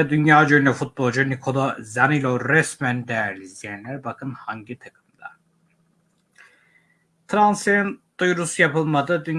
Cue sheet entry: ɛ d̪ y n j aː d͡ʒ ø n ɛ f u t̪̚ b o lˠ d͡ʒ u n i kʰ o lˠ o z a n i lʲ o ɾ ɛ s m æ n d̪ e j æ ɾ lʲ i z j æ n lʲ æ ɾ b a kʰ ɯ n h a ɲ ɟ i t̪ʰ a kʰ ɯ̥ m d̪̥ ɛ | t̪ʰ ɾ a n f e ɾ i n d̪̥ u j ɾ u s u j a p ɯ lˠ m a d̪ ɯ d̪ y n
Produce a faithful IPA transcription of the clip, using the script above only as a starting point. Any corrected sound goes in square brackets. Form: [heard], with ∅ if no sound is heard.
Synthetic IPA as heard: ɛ d̪ y n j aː d͡ʒ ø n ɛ f u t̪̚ b o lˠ d͡ʒ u n i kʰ o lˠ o z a n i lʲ o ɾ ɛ s m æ n d̪ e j æ ɾ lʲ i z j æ n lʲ æ ɾ b a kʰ ɯ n h a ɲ ɟ i t̪ʰ a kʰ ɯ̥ m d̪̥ [a] | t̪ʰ ɾ a n [s] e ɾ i n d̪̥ u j ɾ u s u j a p ɯ lˠ m a d̪ ɯ d̪ y n